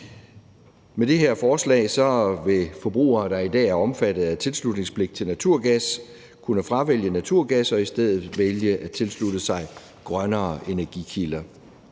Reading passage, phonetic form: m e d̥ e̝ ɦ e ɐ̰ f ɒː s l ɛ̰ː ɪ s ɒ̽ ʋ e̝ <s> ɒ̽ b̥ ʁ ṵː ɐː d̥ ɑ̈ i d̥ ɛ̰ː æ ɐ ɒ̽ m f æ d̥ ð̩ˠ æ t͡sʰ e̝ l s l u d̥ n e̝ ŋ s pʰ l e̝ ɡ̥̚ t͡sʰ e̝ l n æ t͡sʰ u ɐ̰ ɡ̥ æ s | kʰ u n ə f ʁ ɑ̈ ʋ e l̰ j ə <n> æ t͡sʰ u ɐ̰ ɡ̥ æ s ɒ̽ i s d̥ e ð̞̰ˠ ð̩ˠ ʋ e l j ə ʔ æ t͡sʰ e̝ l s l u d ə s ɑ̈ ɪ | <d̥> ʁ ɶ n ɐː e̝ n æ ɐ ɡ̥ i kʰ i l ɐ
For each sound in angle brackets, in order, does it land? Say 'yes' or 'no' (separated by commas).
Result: no, yes, no